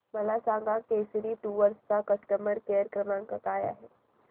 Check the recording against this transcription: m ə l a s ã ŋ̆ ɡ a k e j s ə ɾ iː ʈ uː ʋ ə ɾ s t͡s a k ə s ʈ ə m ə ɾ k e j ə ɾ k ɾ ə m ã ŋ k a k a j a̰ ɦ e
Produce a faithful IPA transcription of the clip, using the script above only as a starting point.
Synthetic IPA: m ə l a s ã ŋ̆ ɡ a k e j s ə ɾ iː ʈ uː ʋ ə ɾ s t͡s a k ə s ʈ ə m ə ɾ k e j ə ɾ k ɾ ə m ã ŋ k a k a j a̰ ɦ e